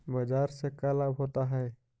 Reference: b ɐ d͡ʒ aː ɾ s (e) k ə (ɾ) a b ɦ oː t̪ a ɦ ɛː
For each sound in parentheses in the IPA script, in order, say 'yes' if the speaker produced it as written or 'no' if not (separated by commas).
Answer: yes, no